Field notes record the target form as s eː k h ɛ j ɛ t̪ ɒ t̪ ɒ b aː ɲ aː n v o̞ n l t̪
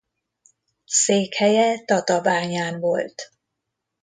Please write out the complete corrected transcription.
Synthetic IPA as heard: s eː k h ɛ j ɛ t̪ ɒ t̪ ɒ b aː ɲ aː n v o̞ l t̪